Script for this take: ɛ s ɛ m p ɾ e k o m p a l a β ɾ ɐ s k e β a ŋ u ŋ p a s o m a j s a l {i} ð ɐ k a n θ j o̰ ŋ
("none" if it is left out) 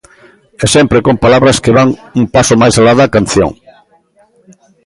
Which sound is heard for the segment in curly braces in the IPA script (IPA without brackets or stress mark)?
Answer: a